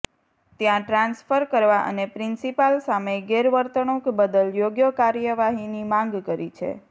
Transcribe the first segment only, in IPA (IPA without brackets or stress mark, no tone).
t̪